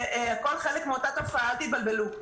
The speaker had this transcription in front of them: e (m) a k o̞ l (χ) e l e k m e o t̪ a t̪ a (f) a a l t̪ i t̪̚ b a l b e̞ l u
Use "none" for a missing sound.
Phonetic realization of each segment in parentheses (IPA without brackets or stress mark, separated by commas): none, χ, f